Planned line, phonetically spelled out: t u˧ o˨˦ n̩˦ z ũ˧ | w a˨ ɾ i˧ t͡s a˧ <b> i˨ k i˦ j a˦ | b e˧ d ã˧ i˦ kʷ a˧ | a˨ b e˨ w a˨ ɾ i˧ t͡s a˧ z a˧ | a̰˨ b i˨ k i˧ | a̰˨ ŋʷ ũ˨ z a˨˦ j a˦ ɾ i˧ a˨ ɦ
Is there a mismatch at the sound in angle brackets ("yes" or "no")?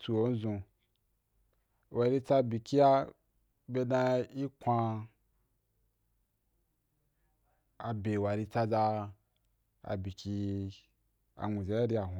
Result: no